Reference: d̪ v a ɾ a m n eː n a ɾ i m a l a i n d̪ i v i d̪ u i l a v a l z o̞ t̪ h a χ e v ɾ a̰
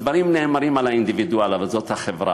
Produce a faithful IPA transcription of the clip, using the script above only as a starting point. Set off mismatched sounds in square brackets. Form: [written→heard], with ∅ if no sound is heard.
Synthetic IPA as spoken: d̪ v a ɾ [a→i] m n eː [n→m] a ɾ i m a l a i n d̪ i v i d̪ u [i→a] l a v a l z o̞ t̪ h a χ e v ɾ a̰